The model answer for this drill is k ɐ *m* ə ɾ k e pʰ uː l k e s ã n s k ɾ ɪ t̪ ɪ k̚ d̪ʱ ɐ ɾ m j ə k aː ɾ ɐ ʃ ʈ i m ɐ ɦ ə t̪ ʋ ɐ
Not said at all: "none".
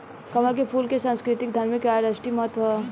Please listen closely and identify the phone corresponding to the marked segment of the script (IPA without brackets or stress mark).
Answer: m